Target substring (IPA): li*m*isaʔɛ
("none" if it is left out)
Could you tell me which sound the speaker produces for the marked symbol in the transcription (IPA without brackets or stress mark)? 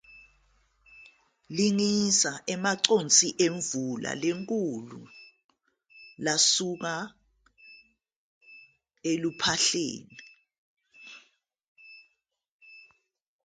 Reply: ŋ